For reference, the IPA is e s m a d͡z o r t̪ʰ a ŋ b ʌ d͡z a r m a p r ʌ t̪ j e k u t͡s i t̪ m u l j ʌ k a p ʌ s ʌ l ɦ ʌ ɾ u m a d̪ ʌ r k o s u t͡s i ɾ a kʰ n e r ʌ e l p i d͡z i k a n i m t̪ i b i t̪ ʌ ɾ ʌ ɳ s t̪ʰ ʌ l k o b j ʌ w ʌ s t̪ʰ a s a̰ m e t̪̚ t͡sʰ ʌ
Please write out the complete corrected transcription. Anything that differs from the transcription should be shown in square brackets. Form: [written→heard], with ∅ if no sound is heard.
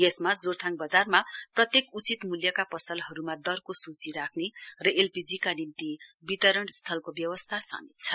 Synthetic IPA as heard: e s m a d͡z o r t̪ʰ a ŋ b ʌ d͡z a r m a p r ʌ t̪ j e k u t͡s i t̪ m u l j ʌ k a p ʌ s ʌ l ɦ ʌ ɾ u m a d̪ ʌ r k o s u t͡s i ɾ a kʰ n e r ʌ e l p i d͡z i k a n i m t̪ i b i t̪ ʌ ɾ ʌ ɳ s t̪ʰ ʌ l k o b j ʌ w ʌ s t̪ʰ a s a̰ m [e→i] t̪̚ t͡sʰ ʌ